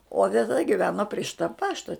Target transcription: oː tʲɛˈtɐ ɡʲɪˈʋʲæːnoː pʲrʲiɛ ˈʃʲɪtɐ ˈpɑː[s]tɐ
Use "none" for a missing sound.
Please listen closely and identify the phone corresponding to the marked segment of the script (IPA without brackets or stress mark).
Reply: ʃ